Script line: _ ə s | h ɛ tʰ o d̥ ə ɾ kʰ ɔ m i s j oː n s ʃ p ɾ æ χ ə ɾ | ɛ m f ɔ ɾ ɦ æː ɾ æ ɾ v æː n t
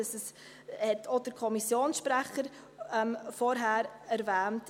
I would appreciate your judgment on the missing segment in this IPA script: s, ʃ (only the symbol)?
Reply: s